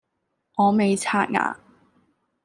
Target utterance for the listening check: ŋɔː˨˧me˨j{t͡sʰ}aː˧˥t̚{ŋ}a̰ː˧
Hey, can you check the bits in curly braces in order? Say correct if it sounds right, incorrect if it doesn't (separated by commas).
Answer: correct, correct